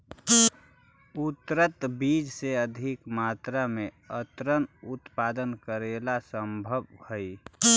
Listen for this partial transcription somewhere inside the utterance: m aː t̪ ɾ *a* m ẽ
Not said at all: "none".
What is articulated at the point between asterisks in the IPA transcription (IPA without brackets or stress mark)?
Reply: a